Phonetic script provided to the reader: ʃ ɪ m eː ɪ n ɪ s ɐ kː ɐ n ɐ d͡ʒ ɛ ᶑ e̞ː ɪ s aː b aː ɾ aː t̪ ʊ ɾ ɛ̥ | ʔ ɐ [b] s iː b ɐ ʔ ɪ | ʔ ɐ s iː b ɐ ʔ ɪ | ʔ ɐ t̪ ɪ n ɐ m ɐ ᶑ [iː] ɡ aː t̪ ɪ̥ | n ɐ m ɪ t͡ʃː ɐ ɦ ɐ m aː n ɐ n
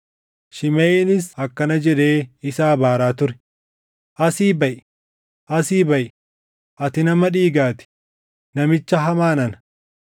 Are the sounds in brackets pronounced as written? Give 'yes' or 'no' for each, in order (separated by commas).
no, yes